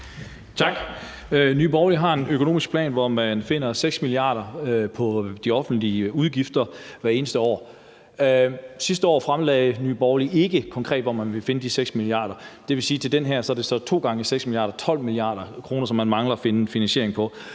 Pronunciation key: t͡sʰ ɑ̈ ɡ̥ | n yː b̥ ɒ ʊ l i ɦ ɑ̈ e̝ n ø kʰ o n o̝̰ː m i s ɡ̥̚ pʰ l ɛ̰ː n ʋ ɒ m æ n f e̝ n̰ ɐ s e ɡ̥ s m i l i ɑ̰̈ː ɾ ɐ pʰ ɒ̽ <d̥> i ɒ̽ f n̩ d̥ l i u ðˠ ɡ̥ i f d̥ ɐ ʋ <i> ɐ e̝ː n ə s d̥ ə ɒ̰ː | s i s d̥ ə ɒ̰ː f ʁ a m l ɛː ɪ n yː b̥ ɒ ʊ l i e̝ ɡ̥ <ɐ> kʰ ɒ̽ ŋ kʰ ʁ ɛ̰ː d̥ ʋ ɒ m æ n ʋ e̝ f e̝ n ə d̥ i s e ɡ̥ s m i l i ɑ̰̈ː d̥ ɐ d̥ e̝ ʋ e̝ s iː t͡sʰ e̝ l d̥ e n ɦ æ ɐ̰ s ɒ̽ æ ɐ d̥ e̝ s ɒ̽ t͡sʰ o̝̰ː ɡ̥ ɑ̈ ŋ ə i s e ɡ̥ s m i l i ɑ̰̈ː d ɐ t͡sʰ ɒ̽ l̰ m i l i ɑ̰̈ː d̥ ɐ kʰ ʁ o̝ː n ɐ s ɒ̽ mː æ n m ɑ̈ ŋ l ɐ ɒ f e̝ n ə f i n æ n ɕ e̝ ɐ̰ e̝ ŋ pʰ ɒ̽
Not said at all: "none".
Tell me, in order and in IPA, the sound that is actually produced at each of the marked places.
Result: d̥, æ, ə

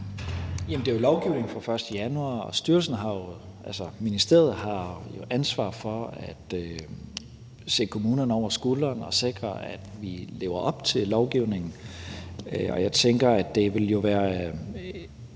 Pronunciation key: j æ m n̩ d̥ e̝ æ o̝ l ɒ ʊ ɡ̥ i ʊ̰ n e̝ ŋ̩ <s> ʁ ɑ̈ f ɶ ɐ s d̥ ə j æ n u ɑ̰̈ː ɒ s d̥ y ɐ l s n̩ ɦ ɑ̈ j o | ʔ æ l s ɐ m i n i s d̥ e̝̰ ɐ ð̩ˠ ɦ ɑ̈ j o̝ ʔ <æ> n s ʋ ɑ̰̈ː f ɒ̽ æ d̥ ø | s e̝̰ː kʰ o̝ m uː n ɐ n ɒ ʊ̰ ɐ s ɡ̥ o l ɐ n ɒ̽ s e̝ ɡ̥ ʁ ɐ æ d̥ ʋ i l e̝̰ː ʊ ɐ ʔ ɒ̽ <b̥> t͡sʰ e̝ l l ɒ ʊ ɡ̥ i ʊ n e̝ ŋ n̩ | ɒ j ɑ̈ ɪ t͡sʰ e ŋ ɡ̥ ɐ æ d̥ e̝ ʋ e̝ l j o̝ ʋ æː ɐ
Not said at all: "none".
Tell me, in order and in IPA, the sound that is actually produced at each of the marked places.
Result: f, æ, b̥

